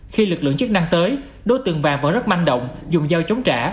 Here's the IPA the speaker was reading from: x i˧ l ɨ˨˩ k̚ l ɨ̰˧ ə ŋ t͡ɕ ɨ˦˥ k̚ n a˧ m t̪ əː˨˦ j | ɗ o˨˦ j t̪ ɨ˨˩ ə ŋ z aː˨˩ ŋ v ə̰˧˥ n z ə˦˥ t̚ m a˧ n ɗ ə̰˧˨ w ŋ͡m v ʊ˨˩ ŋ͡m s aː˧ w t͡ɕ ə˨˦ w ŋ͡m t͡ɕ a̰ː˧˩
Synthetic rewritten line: x i˧ l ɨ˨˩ k̚ l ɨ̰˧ ə ŋ t͡ɕ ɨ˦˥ k̚ n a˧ ŋ t̪ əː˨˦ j | ɗ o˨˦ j t̪ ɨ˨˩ ə ŋ v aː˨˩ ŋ v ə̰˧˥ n z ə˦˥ t̚ m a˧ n ɗ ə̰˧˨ w ŋ͡m z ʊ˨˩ ŋ͡m z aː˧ w t͡ɕ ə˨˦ w ŋ͡m t͡ɕ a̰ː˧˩